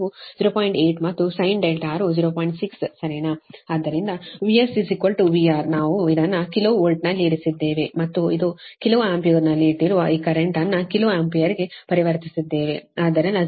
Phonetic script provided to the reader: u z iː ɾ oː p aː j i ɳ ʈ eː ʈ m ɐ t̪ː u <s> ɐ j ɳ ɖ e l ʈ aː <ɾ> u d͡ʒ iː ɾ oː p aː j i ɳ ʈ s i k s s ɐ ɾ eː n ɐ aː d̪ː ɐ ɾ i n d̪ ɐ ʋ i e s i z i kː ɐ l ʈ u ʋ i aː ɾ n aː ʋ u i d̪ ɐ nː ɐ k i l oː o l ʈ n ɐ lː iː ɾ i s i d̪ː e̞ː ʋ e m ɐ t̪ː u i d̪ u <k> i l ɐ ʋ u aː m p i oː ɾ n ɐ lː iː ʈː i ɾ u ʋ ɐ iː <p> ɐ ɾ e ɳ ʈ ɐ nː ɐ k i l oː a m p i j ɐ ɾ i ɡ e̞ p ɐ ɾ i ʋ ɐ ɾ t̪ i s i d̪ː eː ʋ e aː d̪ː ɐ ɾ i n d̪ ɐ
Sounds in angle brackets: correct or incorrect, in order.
correct, correct, correct, incorrect

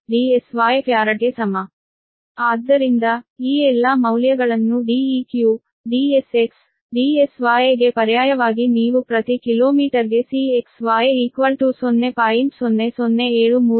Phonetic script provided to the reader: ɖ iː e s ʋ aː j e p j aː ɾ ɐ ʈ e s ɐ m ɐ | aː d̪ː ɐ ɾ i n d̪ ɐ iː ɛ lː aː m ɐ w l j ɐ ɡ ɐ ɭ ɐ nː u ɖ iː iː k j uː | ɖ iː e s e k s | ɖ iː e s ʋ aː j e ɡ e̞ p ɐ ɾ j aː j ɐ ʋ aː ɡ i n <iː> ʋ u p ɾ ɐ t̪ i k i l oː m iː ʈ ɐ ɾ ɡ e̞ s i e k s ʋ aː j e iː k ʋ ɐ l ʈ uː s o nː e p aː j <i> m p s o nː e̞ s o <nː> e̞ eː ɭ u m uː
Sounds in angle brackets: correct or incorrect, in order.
correct, correct, correct

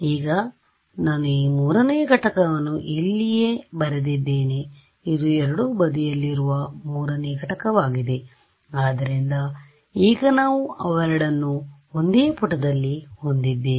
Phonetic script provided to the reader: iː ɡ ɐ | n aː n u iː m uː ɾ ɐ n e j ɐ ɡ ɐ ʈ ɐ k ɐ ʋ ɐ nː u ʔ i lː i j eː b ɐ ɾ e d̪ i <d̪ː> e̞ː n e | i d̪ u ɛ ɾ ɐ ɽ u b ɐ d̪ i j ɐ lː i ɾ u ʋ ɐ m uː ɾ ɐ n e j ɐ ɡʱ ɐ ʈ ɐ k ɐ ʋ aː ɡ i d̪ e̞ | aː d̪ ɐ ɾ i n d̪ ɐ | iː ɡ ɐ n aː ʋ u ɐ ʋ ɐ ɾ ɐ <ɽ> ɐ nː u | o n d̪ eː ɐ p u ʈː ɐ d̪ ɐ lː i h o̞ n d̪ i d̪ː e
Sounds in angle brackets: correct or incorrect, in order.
correct, correct

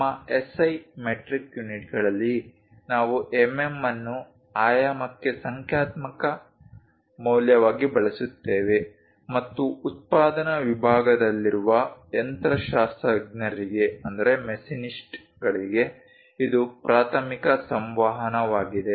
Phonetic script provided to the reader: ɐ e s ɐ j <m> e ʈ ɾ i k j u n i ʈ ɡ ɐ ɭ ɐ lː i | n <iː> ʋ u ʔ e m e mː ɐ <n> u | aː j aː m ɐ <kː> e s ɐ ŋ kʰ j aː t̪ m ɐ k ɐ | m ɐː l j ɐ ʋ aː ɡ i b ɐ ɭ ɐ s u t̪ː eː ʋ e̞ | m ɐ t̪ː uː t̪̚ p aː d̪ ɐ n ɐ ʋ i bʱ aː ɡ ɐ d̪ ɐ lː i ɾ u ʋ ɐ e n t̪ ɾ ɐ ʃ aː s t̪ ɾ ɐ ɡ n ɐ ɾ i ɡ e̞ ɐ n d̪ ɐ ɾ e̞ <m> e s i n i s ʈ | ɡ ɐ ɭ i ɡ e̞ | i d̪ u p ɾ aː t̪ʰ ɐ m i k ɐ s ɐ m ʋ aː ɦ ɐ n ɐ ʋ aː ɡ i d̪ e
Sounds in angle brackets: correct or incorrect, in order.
correct, incorrect, incorrect, correct, correct

